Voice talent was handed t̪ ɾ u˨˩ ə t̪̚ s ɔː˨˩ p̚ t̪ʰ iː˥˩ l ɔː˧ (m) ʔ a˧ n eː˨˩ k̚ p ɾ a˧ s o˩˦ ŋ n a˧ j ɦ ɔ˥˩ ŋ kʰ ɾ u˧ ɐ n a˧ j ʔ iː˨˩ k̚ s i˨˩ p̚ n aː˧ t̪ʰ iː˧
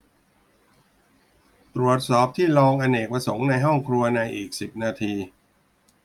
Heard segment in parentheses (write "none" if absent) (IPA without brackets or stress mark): ŋ